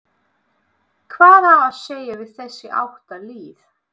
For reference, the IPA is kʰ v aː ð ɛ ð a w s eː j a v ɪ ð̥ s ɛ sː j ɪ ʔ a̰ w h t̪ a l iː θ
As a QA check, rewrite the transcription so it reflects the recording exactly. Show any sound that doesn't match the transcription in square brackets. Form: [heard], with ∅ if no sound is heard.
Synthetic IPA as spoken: kʰ v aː ð [a] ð a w s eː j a v ɪ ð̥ [θ] ɛ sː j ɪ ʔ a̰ w h t̪ a l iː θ